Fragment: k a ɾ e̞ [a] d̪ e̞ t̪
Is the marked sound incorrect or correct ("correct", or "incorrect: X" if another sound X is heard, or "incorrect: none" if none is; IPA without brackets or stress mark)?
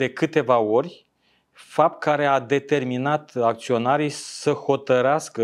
correct